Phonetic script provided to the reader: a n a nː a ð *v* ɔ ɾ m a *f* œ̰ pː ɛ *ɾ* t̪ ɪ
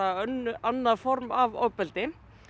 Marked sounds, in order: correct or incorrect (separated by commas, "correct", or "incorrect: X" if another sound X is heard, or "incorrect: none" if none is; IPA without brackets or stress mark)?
incorrect: f, incorrect: v, incorrect: l